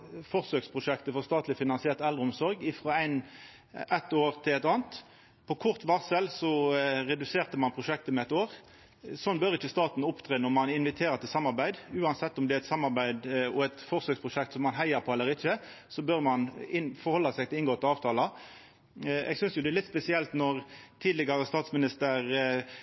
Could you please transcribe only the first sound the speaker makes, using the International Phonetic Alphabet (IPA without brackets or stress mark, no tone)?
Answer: f